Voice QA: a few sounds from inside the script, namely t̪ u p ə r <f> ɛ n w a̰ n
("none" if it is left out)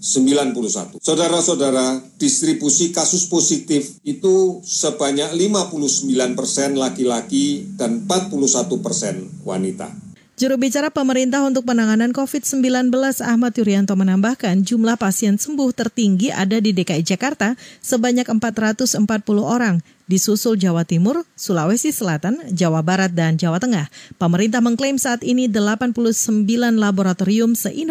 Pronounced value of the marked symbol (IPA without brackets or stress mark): s